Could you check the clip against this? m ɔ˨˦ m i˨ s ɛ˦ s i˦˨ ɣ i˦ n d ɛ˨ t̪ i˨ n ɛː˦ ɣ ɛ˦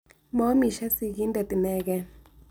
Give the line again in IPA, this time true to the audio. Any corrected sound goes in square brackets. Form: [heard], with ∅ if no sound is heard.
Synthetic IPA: m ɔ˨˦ m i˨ [ʃ] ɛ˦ s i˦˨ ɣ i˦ n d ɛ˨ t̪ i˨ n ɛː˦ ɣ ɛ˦